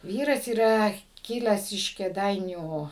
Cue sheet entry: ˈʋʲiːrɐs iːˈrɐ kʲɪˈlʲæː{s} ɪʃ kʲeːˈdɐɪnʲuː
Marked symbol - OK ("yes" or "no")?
yes